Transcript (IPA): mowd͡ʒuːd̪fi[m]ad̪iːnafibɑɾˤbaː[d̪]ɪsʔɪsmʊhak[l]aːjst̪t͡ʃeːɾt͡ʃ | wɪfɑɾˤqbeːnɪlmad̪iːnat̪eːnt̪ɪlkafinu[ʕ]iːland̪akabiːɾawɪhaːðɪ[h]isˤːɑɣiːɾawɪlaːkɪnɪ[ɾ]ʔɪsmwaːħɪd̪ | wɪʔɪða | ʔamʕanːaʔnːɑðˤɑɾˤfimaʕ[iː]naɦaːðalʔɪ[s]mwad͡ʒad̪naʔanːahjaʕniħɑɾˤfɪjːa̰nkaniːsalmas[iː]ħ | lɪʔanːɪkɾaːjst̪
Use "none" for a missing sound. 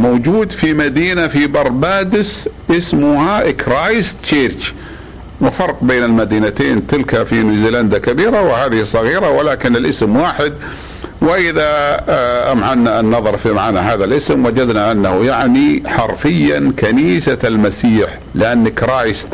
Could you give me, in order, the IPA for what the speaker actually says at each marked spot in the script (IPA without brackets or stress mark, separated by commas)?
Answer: m, d̪, ɾ, z, h, l, aː, s, iː